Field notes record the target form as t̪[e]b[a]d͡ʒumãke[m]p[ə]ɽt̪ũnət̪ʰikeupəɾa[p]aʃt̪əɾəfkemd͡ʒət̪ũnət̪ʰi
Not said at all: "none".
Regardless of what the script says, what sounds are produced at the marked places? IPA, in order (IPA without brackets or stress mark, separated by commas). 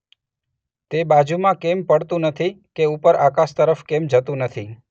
e, a, m, ə, k